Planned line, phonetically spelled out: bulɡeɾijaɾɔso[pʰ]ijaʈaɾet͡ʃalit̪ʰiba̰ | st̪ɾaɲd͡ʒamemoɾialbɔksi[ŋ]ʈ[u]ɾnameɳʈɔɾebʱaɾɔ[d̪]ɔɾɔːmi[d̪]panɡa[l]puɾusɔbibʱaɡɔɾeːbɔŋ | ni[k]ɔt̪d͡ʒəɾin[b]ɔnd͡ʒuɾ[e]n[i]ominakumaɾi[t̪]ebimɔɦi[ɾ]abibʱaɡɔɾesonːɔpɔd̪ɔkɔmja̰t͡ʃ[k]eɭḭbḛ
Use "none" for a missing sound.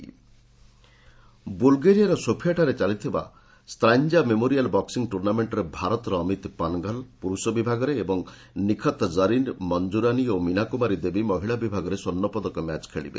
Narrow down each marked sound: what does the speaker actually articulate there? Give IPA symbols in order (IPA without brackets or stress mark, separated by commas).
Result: pʰ, ŋ, u, t̪, t̪, l, kʰ, m, a, i, d̪, ɭ, kʰ